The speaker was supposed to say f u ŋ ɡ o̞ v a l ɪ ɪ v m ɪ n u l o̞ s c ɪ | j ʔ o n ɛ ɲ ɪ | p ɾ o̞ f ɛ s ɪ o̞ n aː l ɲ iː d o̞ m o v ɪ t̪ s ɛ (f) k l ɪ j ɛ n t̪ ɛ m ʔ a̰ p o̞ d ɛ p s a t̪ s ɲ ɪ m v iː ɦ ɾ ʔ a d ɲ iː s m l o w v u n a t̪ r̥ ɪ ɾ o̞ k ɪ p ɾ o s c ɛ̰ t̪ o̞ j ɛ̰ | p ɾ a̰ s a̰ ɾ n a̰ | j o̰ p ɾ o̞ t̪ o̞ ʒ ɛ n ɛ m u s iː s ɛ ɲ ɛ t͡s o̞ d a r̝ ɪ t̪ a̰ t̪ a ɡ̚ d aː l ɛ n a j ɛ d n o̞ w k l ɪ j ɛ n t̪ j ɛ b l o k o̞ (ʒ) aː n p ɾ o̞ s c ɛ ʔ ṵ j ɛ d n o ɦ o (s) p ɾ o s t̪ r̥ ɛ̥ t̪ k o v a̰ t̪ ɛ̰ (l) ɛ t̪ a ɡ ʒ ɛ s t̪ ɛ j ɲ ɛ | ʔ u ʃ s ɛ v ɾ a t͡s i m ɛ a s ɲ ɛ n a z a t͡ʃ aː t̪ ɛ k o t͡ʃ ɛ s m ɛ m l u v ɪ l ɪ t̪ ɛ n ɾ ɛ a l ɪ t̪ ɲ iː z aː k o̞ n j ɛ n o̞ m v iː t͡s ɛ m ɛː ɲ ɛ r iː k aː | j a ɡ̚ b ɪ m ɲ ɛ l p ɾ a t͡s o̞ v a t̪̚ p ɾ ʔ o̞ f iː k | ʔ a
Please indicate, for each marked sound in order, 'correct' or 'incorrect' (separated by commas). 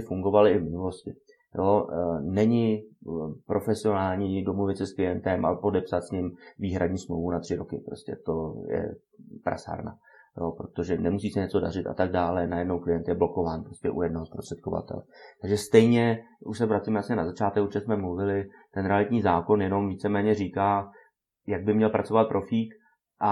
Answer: incorrect, incorrect, correct, correct